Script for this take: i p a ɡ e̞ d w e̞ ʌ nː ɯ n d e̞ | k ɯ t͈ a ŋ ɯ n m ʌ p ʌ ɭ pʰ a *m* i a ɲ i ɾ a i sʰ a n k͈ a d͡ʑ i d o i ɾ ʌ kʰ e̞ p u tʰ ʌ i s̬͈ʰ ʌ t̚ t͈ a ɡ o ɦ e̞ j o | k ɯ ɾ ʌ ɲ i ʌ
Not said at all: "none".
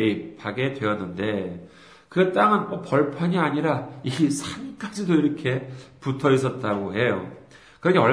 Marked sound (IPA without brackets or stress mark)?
ɲ